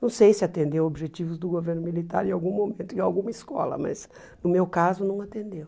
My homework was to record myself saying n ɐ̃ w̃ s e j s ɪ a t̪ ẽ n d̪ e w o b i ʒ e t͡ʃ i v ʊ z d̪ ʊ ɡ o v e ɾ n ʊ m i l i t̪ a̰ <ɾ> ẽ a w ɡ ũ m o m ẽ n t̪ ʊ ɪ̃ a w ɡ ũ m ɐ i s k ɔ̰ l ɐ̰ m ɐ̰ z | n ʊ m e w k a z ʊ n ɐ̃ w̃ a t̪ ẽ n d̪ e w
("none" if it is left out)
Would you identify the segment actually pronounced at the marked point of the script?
ɾ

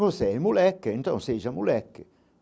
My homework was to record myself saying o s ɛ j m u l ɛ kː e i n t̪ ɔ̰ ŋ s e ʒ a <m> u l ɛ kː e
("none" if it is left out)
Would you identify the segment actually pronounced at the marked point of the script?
m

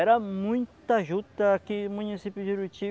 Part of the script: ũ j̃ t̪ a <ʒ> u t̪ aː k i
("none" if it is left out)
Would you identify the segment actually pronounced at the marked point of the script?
ʒ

